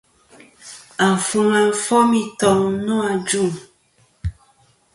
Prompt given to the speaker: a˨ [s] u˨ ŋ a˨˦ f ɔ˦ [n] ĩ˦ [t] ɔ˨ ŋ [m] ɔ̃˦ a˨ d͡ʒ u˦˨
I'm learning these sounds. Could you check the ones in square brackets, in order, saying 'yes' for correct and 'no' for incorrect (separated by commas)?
no, no, yes, no